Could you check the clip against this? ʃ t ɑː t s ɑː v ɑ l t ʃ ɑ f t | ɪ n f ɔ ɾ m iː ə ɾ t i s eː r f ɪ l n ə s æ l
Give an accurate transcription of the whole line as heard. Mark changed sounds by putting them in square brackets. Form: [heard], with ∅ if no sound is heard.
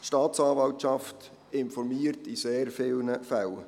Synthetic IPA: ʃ t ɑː t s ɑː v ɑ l t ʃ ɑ f t | ɪ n f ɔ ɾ m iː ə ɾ t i s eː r f ɪ l n ə [f] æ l